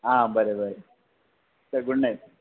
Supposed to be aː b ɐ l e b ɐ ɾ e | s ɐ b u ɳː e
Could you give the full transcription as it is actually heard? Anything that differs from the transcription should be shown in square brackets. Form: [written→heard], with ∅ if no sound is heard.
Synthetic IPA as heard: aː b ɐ [l→ɾ] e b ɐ ɾ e | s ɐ [b→ɡ] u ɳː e